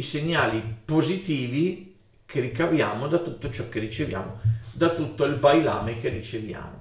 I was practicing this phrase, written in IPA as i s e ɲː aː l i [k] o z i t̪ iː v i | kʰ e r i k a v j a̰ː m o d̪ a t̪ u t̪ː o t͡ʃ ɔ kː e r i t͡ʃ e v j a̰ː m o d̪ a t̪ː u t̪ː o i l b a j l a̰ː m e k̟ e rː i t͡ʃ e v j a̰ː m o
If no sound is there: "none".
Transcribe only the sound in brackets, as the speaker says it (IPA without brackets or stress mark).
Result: p